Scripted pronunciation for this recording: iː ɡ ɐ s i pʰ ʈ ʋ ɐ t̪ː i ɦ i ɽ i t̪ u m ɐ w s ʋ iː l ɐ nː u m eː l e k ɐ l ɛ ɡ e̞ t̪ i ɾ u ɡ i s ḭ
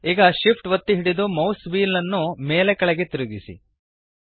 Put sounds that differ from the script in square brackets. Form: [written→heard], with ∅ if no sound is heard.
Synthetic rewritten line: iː ɡ ɐ [s→ʃ] i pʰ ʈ ʋ ɐ t̪ː i ɦ i ɽ i [t̪→d̪] u m ɐ w s ʋ iː l ɐ nː u m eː l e k ɐ [l→ɭ] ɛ ɡ e̞ t̪ i ɾ u ɡ i s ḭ